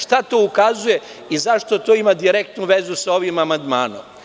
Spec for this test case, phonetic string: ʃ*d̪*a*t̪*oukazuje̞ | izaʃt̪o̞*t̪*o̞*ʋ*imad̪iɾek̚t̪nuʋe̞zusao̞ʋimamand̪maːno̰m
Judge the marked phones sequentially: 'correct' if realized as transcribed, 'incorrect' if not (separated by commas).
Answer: incorrect, correct, correct, incorrect